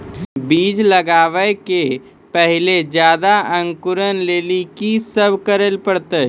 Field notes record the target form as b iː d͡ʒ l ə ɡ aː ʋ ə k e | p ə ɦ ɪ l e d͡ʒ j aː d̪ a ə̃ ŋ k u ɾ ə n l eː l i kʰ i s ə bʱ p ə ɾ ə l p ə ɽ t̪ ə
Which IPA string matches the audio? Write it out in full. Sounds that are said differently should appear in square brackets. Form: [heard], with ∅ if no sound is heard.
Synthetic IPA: b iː d͡ʒ l ə ɡ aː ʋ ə k e | p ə ɦ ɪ l e d͡ʒ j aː d̪ a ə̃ ŋ k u ɾ ə n l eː l i [k] i s ə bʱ [k] ə ɾ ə l p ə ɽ t̪ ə